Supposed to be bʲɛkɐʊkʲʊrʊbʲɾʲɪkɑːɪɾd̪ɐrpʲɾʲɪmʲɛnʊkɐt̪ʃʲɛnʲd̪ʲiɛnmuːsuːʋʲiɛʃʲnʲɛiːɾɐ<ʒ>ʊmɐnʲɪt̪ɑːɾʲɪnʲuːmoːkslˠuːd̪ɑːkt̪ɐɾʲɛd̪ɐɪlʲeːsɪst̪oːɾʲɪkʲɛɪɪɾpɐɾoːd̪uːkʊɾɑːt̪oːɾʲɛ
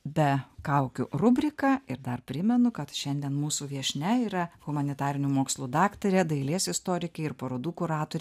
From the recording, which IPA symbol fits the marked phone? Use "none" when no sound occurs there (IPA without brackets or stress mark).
ɣ